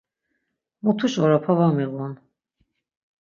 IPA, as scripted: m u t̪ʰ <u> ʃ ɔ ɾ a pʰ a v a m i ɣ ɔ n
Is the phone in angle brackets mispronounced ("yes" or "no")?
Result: no